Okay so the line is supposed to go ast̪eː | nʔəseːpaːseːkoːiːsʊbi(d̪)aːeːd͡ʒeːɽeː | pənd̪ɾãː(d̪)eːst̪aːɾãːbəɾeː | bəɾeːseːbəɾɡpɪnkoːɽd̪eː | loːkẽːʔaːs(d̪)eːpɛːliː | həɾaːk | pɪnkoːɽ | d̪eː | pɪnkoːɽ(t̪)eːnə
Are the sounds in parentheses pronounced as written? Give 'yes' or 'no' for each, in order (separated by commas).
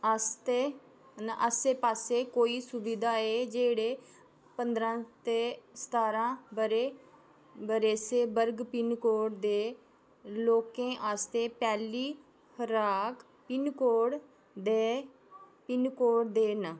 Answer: yes, no, no, no